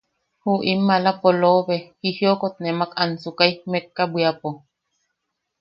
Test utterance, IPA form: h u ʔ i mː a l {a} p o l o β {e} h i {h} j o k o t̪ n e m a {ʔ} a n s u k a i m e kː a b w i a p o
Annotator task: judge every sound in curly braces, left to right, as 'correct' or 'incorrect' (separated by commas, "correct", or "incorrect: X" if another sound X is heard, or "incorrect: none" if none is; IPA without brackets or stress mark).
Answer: correct, correct, correct, incorrect: k